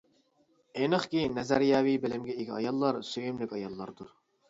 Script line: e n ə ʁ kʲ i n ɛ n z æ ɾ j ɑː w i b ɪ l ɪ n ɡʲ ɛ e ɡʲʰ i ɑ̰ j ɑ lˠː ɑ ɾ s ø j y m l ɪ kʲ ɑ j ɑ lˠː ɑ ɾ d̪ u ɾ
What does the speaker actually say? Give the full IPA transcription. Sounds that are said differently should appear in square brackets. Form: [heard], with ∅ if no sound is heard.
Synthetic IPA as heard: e n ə [χ] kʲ i n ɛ [∅] z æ ɾ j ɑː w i b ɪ l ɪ [m] ɡʲ ɛ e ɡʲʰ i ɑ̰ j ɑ lˠː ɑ ɾ s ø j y m l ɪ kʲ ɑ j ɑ lˠː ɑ ɾ d̪ u ɾ